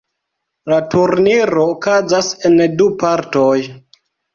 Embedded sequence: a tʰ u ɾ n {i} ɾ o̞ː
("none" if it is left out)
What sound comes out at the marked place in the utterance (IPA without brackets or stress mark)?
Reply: i